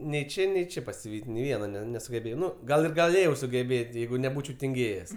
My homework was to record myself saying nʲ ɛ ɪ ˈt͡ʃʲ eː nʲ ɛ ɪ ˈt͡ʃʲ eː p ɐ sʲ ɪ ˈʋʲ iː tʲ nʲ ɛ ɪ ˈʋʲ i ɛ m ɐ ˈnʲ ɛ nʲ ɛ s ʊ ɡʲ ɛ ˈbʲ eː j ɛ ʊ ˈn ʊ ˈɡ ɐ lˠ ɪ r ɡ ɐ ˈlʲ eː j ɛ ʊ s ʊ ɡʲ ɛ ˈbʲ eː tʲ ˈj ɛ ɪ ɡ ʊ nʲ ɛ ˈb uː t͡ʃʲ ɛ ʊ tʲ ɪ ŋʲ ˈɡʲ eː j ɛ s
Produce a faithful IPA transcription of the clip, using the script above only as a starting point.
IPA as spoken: nʲ ɛ ɪ ˈt͡ʃʲ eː nʲ ɛ ɪ ˈt͡ʃʲ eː p ɐ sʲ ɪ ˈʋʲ iː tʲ nʲ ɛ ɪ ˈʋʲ i ɛ n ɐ ˈnʲ ɛ nʲ ɛ s ʊ ɡʲ ɛ ˈbʲ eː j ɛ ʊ ˈn ʊ ˈɡ ɐ lˠ ɪ r ɡ ɐ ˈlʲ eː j ɛ ʊ s ʊ ɡʲ ɛ ˈbʲ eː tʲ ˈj ɛ ɪ ɡ ʊ nʲ ɛ ˈb uː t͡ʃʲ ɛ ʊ tʲ ɪ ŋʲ ˈɡʲ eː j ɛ s